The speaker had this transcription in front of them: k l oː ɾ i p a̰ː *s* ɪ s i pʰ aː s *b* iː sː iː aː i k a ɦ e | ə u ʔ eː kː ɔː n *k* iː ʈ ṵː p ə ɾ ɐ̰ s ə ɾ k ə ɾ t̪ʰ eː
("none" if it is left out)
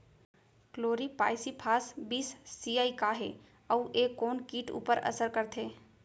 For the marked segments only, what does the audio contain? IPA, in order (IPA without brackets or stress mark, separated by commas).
none, b, k